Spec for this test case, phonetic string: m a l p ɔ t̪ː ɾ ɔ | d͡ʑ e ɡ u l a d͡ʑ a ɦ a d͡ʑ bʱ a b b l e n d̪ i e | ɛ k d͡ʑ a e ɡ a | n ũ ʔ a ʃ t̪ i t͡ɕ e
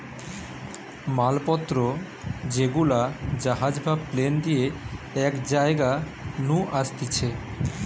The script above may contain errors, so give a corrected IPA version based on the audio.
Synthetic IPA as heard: m a l p ɔ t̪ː ɾ o | d͡ʑ e ɡ u l a d͡ʑ a ɦ a d͡ʑ bʱ a b p l e n d̪ i e | ɛ k d͡ʑ a e ɡ a | n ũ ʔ a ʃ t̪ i t͡ɕʰ e